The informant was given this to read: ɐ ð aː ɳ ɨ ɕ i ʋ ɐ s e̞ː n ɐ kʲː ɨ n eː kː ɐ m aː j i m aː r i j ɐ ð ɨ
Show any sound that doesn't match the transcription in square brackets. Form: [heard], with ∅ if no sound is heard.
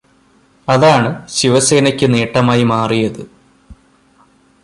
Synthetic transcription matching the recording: ɐ ð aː ɳ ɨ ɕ i ʋ ɐ s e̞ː n ɐ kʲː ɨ n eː [ʈː] ɐ m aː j i m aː r i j ɐ ð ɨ